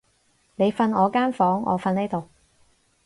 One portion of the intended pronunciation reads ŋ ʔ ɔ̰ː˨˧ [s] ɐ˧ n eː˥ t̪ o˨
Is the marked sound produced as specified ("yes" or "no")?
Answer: no